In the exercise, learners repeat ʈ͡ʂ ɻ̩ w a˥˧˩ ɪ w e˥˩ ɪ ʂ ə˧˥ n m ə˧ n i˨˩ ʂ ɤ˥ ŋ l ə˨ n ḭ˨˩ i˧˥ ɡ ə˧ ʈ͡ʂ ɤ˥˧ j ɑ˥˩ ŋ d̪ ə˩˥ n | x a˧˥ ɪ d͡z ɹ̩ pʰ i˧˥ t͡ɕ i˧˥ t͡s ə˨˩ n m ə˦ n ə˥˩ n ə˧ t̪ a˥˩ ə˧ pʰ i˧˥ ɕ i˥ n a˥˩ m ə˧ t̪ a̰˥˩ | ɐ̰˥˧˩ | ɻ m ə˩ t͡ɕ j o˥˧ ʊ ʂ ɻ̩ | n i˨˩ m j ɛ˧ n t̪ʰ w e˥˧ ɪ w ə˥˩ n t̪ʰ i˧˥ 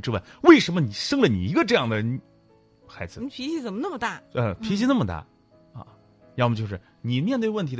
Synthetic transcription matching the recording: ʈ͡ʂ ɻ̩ w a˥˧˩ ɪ w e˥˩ ɪ ʂ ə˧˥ n m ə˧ n i˨˩ ʂ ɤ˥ ŋ l ə˨ n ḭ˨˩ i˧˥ ɡ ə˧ ʈ͡ʂ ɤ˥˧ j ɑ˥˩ ŋ d̪ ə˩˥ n | x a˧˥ ɪ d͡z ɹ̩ pʰ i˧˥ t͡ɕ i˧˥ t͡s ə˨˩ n m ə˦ n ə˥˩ m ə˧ t̪ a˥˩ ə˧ pʰ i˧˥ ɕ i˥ n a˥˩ m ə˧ t̪ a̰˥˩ | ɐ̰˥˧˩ | ɻ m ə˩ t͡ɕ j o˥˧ ʊ ʂ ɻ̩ | n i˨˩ m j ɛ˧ n t̪ w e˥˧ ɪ w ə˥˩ n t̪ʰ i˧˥